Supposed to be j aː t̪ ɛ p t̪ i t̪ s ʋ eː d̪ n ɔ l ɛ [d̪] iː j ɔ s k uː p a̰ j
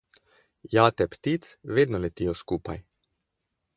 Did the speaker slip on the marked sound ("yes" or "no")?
yes